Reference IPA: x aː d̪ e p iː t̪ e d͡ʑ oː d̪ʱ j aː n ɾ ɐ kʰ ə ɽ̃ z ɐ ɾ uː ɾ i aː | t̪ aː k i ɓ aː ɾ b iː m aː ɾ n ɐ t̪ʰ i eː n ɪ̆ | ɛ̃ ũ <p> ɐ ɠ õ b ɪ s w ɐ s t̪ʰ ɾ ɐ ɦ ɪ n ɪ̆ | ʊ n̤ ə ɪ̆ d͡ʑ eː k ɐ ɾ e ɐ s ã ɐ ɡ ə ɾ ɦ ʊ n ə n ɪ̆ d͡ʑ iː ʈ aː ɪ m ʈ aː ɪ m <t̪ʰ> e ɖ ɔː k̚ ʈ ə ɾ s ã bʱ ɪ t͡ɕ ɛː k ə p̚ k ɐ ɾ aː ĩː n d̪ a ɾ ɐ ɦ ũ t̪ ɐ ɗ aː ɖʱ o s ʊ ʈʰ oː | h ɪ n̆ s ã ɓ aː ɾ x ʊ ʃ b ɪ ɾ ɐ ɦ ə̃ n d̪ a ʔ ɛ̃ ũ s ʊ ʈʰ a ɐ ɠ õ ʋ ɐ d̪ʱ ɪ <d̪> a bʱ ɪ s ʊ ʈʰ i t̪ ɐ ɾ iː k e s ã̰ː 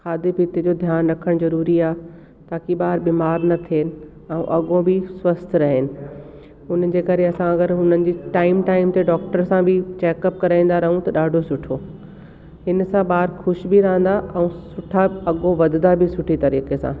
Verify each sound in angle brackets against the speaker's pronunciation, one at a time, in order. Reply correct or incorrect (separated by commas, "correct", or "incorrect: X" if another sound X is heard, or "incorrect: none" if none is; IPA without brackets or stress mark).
incorrect: ʔ, incorrect: t̪, correct